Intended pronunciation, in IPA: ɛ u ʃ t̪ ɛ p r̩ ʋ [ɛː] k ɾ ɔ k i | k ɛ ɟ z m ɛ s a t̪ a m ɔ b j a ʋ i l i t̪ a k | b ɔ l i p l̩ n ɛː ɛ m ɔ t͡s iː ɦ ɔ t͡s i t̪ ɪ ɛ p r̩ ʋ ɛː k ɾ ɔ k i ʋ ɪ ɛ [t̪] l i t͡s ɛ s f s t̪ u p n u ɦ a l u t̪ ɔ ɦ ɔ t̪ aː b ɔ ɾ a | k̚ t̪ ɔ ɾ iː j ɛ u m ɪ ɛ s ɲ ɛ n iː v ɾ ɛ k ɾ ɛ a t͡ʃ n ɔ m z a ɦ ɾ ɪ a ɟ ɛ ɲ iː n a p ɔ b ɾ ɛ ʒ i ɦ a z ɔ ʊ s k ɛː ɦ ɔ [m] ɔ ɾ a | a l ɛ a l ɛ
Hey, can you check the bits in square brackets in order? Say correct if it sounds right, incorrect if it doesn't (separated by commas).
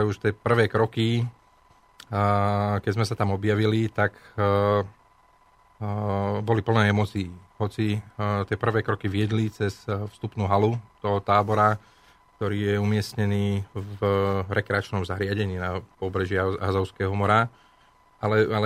correct, incorrect, correct